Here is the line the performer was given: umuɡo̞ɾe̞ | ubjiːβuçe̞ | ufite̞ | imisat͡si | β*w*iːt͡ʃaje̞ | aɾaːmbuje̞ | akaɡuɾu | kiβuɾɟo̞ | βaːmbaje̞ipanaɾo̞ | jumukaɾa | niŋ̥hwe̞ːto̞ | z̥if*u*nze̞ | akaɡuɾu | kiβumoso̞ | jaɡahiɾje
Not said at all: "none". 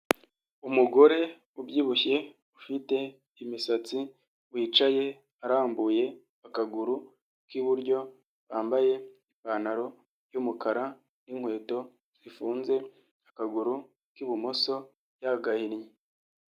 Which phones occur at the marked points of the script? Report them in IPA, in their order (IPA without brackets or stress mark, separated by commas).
w, uː